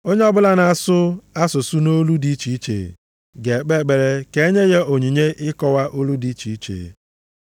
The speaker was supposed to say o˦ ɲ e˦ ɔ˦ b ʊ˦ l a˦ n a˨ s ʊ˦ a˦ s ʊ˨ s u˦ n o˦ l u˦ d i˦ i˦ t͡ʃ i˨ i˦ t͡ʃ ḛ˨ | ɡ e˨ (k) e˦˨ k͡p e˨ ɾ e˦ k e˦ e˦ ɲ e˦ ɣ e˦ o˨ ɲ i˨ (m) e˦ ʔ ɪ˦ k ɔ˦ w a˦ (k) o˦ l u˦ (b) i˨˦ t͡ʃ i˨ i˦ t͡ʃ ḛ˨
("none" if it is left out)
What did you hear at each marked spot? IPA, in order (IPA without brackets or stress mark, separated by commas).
k͡p, ɲ, ʔ, d